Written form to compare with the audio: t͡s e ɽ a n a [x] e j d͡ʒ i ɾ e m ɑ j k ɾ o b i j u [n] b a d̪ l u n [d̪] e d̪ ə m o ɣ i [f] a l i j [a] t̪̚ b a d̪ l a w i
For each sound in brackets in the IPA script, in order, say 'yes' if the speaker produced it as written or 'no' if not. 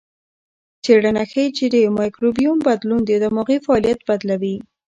yes, no, yes, yes, yes

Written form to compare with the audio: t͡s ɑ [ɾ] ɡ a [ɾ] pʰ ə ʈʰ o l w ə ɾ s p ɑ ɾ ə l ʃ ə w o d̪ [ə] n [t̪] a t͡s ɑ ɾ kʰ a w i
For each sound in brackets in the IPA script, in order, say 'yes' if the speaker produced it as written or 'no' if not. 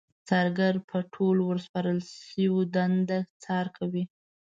yes, yes, no, no

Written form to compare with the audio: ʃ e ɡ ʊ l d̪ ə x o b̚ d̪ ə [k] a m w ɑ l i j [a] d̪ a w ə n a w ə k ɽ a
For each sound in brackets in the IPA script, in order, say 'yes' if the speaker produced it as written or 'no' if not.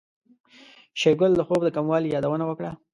yes, no

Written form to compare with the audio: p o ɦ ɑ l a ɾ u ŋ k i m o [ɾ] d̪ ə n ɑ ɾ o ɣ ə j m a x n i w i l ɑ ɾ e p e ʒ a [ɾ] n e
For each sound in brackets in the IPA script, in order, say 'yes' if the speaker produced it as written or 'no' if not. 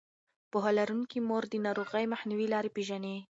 yes, no

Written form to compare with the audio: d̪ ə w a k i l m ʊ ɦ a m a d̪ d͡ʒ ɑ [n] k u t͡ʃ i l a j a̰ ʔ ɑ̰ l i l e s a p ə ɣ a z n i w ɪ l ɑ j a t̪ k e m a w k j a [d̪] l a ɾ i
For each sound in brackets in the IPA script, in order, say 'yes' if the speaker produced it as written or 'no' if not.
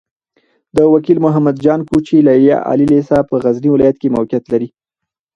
yes, no

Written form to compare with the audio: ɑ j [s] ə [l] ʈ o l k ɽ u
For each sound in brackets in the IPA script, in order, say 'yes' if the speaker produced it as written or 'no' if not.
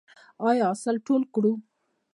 yes, yes

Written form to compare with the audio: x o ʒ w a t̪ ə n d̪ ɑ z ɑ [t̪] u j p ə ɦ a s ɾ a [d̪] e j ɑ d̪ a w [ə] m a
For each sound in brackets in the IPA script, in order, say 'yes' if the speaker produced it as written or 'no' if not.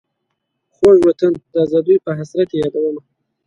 no, no, yes

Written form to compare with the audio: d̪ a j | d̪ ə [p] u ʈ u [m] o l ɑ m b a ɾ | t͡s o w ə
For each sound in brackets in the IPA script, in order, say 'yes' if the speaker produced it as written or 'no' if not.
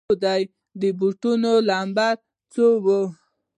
no, no

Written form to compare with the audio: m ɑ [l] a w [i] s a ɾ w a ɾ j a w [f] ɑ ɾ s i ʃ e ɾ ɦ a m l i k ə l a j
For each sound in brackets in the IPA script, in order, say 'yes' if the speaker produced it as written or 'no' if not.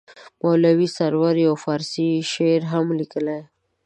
yes, yes, yes

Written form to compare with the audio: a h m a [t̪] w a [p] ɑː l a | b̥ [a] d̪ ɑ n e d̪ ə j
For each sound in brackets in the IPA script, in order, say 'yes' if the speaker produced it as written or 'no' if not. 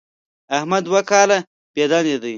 no, no, no

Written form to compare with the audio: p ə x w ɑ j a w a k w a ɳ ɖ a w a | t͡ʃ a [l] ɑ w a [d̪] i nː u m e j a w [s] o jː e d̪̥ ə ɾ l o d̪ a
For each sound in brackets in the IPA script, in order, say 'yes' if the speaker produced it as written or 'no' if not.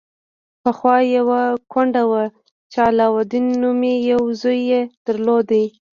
yes, yes, no

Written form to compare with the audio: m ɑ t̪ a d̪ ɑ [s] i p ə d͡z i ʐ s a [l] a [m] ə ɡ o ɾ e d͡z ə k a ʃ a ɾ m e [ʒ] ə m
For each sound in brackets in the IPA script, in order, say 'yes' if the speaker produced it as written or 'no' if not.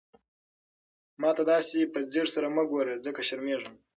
yes, no, yes, no

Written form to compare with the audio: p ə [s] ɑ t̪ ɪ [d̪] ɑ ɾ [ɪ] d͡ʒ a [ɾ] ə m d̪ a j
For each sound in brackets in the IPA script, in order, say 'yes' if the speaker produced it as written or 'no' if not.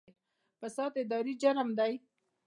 yes, yes, no, yes

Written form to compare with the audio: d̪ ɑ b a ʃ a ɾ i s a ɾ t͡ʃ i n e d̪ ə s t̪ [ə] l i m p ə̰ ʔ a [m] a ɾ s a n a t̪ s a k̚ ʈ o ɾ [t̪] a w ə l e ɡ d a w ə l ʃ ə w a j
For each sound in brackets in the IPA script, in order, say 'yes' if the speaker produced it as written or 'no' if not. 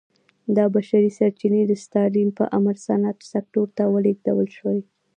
no, yes, yes

